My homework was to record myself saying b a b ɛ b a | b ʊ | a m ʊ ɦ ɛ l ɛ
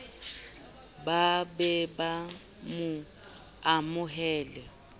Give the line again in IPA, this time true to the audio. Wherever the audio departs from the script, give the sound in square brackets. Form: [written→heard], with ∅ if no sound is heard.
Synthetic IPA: b a b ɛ b a | [b→m] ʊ | a m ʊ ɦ [ɛ→ɛː] l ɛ